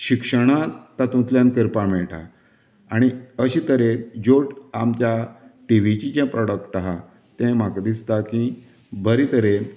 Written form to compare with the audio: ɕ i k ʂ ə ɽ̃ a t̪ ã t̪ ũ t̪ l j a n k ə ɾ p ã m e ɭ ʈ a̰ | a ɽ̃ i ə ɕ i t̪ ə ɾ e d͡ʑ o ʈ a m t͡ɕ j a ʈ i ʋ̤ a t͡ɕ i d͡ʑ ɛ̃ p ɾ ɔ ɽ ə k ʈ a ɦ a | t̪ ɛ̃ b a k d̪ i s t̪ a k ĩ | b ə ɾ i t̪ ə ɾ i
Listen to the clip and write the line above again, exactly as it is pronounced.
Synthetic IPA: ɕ i k ʂ ə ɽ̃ a t̪ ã t̪ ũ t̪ l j a n k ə ɾ p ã m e ɭ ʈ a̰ | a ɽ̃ i ə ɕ i t̪ ə ɾ e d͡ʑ o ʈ a m t͡ɕ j a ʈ i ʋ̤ i t͡ɕ i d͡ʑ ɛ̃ p ɾ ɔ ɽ ə k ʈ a ɦ a | t̪ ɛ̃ m a k d̪ i s t̪ a k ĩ | b ə ɾ i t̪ ə ɾ e